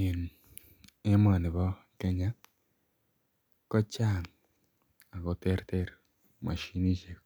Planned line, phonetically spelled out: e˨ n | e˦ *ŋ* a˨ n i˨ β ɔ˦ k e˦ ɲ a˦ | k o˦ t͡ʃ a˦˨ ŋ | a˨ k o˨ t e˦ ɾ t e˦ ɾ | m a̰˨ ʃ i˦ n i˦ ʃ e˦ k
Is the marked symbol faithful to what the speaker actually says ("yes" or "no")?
no